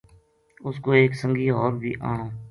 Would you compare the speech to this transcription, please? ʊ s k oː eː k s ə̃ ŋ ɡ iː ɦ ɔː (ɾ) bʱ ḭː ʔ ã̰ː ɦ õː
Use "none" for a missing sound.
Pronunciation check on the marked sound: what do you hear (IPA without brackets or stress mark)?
ɾ